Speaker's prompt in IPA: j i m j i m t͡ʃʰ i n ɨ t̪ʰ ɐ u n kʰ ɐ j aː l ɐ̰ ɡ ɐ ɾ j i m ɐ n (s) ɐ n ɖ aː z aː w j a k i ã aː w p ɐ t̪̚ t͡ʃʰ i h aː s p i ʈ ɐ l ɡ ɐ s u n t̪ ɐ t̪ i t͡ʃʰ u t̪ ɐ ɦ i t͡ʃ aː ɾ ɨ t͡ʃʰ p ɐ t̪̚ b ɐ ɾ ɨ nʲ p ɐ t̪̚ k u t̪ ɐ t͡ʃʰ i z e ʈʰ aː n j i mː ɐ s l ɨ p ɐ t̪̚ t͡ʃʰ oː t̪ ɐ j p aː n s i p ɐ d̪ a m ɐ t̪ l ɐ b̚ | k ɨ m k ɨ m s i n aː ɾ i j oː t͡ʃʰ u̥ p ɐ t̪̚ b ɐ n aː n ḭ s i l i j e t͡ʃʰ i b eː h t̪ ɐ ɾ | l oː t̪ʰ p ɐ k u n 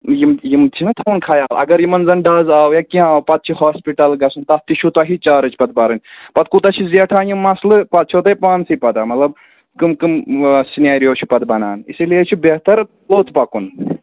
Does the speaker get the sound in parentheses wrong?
yes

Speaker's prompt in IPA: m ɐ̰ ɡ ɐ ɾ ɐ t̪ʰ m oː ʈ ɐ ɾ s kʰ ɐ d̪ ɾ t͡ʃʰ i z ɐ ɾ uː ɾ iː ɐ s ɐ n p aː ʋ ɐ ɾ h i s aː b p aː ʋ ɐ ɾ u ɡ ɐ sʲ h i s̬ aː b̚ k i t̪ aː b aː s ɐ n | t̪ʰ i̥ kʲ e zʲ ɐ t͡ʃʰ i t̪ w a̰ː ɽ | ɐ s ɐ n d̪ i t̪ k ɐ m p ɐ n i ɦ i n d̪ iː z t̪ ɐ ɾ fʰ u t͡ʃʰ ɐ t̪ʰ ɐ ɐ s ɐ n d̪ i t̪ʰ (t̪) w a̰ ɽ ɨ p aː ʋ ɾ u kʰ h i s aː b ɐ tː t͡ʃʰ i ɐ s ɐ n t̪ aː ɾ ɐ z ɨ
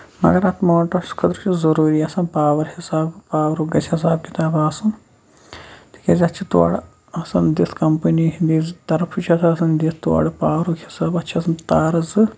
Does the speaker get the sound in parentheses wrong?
no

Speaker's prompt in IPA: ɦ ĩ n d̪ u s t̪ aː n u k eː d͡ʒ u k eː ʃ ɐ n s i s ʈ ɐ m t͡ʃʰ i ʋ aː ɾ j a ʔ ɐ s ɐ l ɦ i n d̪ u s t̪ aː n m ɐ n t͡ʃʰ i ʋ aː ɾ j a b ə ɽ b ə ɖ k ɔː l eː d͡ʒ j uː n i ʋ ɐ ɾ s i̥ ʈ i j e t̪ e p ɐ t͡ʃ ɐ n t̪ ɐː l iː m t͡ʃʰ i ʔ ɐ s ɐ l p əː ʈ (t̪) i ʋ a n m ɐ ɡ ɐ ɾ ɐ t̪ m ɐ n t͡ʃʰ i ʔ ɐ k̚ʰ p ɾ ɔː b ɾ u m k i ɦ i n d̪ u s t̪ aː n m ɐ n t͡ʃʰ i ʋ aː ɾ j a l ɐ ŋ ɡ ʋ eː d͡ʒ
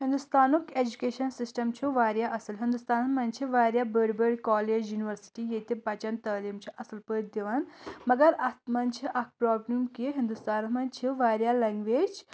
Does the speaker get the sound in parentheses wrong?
yes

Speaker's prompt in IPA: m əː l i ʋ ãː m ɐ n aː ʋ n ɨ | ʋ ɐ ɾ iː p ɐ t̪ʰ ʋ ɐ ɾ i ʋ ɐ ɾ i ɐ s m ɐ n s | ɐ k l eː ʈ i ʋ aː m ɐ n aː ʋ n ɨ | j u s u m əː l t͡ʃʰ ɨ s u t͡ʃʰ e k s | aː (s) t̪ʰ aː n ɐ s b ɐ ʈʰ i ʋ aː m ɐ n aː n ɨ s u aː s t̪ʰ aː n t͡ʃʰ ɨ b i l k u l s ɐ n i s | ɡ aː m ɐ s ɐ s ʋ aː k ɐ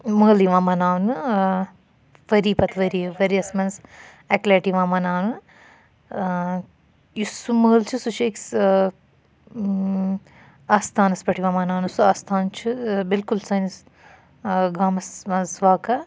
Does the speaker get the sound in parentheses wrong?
no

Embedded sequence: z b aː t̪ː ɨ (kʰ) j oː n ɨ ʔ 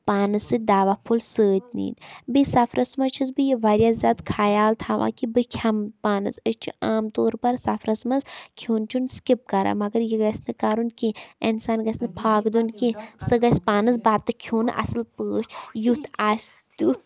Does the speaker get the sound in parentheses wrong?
no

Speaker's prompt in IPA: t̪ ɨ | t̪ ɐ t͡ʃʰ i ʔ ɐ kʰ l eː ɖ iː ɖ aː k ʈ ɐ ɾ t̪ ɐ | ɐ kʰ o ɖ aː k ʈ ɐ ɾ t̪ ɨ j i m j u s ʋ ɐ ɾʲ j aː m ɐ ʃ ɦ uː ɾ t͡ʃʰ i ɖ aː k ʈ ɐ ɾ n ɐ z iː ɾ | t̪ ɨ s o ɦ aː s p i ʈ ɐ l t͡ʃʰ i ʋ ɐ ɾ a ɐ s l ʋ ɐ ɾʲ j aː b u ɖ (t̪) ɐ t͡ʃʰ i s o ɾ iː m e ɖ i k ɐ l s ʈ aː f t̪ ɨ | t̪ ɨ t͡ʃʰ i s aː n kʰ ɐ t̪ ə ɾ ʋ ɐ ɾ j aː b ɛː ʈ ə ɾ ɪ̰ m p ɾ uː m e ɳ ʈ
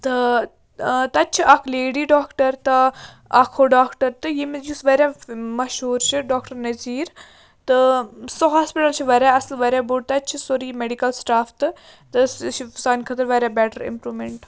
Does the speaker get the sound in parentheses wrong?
no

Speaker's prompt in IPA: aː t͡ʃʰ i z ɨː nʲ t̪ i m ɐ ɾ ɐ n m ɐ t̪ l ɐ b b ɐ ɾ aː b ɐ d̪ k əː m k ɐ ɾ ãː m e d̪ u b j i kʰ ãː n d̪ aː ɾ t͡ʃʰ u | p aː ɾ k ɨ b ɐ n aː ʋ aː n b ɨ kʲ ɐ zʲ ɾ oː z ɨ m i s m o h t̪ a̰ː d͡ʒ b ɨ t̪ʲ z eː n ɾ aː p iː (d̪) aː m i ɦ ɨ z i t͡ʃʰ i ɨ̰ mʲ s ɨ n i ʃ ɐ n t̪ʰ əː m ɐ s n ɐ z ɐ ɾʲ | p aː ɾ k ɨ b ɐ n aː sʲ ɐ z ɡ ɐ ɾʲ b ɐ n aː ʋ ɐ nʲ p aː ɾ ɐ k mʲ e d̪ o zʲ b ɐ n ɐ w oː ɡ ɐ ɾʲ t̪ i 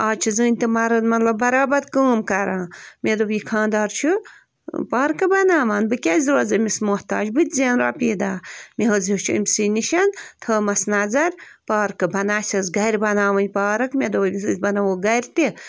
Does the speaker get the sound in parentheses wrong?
no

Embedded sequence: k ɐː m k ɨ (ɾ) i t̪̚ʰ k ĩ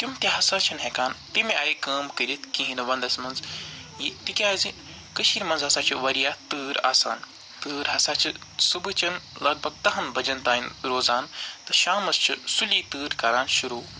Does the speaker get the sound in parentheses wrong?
no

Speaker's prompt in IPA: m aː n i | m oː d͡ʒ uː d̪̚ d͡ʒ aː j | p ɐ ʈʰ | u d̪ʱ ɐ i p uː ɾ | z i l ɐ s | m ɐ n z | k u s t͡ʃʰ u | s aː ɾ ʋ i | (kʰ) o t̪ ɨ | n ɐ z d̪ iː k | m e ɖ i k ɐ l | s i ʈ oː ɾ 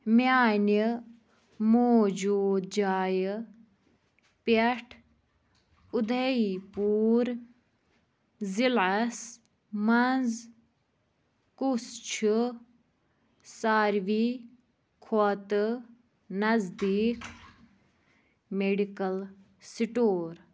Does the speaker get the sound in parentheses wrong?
no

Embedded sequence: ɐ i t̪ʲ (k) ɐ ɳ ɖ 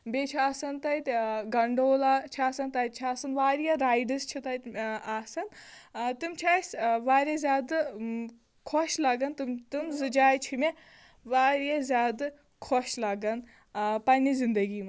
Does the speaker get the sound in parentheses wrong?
yes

